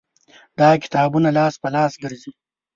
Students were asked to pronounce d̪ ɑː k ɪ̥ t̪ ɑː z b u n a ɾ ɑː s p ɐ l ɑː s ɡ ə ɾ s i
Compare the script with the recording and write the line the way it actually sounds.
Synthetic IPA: d̪ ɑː k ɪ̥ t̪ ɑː b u n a l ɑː s p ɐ l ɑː s ɡ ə ɾ z i